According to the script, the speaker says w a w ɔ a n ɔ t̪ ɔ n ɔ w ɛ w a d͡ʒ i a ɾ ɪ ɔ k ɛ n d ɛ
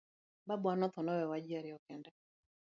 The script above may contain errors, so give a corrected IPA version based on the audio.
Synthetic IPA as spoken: b a b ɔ a n ɔ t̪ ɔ n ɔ w ɛ w a d͡ʒ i a ɾ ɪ ɔ k ɛ n d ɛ